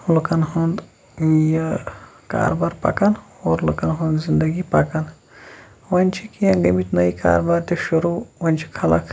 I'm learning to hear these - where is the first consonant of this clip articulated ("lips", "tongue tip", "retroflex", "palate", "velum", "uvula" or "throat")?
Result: tongue tip